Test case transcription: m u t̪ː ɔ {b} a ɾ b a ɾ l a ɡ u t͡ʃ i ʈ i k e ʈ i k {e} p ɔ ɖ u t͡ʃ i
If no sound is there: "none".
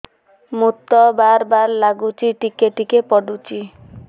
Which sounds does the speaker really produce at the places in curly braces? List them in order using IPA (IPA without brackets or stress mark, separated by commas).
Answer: b, e